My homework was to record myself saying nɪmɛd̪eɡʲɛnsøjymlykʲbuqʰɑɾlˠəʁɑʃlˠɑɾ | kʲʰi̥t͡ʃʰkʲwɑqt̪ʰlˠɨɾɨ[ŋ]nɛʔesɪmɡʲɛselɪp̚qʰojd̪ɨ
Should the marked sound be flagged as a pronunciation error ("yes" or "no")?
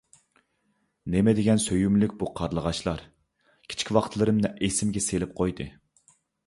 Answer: yes